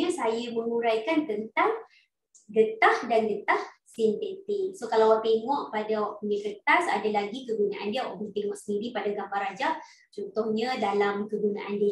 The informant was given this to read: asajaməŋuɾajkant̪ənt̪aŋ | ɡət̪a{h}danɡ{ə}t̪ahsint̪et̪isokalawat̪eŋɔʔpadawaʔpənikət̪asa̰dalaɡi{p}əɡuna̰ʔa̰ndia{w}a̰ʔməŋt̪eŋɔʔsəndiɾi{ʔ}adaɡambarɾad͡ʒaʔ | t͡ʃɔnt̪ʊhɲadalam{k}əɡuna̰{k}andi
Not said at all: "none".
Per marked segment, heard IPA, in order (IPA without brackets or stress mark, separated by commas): h, ə, k, w, p, k, ʔ